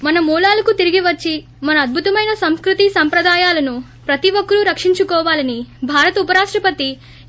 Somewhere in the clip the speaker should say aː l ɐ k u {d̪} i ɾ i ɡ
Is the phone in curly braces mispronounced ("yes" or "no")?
yes